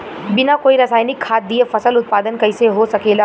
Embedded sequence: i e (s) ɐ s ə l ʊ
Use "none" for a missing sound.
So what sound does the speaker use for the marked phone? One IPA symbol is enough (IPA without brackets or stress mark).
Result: f